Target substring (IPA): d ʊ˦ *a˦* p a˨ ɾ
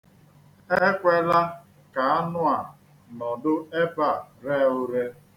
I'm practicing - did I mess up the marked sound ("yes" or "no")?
yes